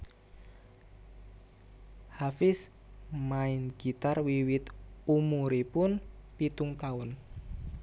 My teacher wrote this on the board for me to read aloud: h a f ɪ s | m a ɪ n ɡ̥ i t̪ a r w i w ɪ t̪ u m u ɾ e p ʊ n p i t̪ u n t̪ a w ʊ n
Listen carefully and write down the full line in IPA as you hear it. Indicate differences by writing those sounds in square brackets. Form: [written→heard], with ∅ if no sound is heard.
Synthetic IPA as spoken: h a f ɪ s | m a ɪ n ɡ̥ i t̪ a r w i w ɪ t̪ u m u ɾ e p ʊ n p i t̪ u [n→ŋ] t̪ a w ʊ n